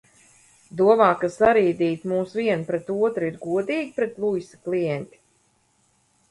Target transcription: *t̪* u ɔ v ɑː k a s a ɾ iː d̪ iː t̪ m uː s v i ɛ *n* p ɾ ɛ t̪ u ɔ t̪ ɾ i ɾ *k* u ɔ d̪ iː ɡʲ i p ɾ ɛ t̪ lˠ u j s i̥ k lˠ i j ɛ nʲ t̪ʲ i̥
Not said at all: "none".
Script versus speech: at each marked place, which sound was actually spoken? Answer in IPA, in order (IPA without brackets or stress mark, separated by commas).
d̪, n, ɡ